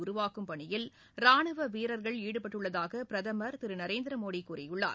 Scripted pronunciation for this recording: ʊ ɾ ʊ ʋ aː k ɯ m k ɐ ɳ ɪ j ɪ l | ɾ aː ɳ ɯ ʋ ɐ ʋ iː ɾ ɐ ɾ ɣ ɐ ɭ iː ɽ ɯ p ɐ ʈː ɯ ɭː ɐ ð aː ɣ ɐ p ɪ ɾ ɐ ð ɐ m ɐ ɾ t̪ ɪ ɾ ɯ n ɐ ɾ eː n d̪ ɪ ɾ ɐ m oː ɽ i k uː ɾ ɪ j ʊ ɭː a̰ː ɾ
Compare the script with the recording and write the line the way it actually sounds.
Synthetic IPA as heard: ʊ ɾ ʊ ʋ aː k ɯ m p ɐ ɳ ɪ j ɪ l | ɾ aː ɳ ɯ ʋ ɐ ʋ iː ɾ ɐ ɾ ɣ ɐ ɭ iː ɽ ɯ p ɐ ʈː ɯ ɭː ɐ ð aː ɣ ɐ p ɪ ɾ ɐ ð ɐ m ɐ ɾ t̪ ɪ ɾ ɯ n ɐ ɾ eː n d̪ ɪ ɾ ɐ m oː ɽ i k uː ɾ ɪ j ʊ ɭː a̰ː ɾ